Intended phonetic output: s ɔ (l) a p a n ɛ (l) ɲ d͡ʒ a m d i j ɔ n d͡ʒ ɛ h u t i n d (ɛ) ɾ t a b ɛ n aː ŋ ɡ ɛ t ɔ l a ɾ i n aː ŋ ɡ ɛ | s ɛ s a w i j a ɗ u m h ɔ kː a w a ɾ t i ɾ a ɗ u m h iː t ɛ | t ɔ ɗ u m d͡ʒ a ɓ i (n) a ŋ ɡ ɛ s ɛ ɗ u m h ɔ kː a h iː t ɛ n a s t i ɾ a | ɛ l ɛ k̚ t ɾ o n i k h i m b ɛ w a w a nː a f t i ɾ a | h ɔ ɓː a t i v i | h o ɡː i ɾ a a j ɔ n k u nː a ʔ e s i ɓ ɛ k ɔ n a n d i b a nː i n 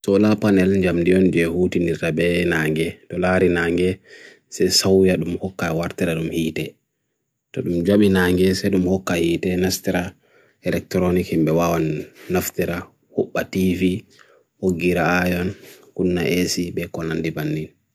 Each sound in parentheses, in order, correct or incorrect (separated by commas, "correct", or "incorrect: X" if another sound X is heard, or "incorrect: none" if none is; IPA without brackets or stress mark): correct, correct, incorrect: i, correct